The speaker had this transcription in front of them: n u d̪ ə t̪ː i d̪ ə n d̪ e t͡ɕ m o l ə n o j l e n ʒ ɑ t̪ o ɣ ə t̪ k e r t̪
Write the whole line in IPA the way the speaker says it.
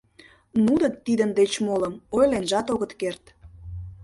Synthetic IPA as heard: n u d̪ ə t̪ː i d̪ ə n d̪ e t͡ɕ m o l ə m o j l e n ʒ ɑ t̪ o ɣ ə t̪ k e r t̪